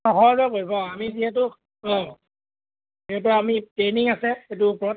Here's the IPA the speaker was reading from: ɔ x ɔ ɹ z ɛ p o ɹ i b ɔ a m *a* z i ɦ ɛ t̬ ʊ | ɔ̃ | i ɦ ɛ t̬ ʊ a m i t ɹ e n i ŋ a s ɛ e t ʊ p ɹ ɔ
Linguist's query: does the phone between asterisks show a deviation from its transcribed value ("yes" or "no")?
yes